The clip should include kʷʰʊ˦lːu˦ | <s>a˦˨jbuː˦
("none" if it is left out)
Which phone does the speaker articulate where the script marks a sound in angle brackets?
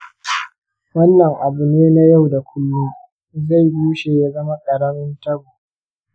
z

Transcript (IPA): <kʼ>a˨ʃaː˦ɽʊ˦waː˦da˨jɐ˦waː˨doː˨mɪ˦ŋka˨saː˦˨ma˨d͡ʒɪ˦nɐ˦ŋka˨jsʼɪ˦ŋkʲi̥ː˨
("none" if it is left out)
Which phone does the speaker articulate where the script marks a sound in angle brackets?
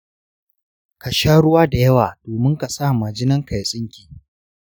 k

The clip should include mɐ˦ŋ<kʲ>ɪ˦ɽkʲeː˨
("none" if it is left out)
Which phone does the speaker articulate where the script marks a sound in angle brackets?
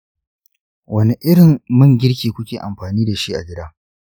ɡʲ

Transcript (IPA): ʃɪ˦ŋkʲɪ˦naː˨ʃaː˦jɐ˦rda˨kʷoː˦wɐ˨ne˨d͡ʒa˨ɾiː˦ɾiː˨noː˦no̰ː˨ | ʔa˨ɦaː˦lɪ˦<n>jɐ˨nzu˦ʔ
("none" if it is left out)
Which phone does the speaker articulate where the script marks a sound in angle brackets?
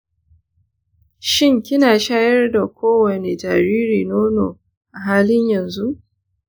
ɲ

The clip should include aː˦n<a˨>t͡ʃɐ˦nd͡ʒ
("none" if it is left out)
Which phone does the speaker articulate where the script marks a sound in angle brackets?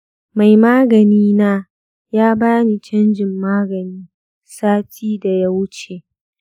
i˨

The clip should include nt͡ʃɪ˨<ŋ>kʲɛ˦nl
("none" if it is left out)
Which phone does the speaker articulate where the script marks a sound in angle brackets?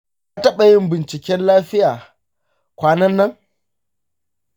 none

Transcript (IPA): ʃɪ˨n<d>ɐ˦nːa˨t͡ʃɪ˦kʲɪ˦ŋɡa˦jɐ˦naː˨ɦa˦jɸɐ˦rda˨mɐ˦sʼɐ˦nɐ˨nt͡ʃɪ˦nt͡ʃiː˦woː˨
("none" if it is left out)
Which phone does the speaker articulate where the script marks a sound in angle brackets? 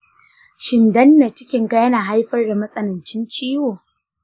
d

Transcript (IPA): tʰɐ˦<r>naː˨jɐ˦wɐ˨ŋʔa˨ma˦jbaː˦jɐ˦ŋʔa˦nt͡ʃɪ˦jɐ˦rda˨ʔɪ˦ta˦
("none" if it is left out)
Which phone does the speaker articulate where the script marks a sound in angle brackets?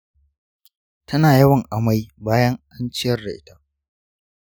none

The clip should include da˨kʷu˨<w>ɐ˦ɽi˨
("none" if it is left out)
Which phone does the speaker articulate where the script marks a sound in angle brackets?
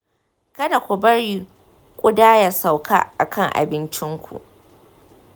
b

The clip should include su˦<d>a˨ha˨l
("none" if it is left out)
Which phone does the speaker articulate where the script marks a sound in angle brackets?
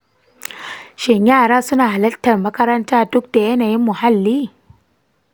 n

